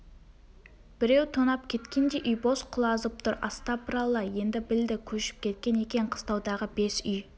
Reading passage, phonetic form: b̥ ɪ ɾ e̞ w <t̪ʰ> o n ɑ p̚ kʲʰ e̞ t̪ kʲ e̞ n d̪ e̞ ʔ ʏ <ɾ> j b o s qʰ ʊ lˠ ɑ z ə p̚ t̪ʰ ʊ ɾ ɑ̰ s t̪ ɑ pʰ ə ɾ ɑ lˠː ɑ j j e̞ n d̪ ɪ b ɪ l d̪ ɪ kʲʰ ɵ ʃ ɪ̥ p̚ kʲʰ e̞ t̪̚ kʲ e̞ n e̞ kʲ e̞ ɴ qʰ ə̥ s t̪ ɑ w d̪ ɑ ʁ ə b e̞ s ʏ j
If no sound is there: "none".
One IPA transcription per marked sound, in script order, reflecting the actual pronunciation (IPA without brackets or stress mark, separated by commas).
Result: t̪ʰ, none